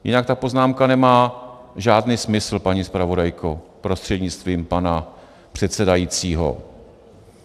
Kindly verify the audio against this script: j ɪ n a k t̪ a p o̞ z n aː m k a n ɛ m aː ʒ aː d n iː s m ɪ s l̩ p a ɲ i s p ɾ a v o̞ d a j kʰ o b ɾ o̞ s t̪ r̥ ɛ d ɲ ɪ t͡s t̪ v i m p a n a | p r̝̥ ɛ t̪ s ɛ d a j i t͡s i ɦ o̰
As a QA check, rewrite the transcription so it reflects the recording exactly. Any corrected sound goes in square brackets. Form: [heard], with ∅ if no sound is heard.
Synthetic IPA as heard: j ɪ n a k t̪ a p o̞ z n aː m k a n ɛ m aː ʒ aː d n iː s m ɪ s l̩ p a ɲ i s p ɾ a v o̞ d a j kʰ o [p] ɾ o̞ s t̪ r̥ ɛ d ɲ ɪ t͡s t̪ v [iː] m p a n a | p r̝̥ ɛ t̪ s ɛ d a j i t͡s [iː] ɦ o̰